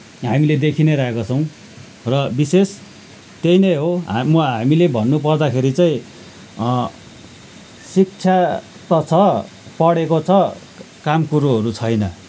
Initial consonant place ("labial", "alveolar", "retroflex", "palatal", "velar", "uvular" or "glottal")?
glottal